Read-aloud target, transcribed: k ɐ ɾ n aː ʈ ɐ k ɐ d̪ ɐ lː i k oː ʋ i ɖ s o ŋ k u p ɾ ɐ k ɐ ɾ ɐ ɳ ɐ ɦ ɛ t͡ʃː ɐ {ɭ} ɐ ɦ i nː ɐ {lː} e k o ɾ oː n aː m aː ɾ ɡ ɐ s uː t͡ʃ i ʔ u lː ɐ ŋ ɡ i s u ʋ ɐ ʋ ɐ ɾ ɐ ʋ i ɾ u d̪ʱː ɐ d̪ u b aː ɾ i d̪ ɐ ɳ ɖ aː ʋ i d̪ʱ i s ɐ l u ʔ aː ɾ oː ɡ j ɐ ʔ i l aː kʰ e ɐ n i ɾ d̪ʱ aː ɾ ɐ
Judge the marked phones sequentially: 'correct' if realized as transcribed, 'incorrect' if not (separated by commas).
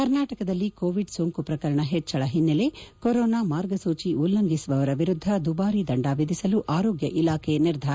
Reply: correct, incorrect